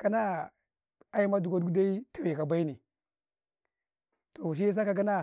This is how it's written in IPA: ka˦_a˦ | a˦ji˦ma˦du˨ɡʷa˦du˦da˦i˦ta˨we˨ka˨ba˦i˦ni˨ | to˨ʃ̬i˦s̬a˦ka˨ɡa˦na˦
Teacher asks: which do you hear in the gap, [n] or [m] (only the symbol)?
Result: n